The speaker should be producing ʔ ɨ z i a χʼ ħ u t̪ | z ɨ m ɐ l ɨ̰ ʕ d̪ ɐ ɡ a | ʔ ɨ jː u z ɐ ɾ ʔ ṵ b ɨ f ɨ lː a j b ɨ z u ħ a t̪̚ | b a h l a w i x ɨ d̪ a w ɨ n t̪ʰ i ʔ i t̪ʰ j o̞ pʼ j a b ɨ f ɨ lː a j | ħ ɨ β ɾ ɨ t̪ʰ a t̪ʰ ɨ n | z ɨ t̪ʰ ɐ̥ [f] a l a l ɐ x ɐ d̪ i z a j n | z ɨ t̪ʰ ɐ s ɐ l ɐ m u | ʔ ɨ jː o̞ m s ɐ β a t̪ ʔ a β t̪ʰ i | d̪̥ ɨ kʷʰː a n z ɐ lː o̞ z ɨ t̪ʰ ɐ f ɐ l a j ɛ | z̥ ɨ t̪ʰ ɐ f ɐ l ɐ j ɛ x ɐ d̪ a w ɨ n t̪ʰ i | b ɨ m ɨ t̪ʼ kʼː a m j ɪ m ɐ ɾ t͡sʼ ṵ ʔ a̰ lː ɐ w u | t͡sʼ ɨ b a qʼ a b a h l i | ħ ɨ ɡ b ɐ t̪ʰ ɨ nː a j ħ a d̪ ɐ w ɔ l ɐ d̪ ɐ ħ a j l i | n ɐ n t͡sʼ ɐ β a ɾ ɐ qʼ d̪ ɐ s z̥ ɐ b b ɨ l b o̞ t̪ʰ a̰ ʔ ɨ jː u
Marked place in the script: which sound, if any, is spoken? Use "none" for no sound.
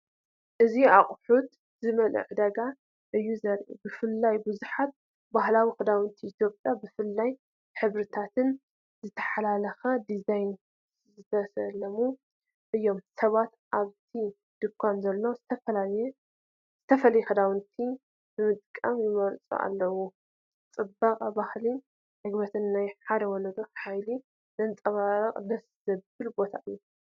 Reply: ħ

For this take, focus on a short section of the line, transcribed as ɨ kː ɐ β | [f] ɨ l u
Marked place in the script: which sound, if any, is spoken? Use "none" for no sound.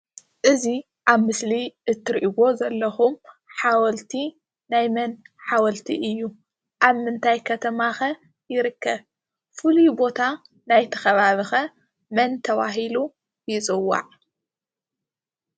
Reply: f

